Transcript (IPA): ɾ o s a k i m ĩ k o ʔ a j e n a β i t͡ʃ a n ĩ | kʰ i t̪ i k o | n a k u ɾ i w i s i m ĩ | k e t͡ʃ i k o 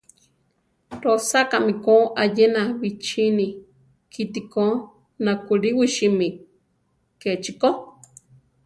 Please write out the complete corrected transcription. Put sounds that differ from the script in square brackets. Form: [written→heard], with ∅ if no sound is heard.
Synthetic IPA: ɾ o s a k [i→a] m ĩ k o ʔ a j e n a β i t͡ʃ [a→i] n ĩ | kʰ i t̪ i k o | n a k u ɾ i w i [s→ʃ] i m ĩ | k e t͡ʃ i k o